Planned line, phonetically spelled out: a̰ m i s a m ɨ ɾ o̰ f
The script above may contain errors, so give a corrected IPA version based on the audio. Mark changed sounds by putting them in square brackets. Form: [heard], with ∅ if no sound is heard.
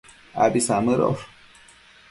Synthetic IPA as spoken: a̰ [b] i s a m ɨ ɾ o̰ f